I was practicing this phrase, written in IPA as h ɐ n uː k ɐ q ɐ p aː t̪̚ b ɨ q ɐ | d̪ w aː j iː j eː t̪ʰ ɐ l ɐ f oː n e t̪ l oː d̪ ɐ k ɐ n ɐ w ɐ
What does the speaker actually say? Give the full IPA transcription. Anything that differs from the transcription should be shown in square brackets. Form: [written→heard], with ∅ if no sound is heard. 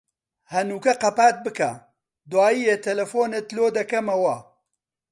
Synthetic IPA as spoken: h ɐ n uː k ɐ q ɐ p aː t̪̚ b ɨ [q→k] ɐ | d̪ w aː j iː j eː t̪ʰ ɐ l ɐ f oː n e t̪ l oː d̪ ɐ k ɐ [n→m] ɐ w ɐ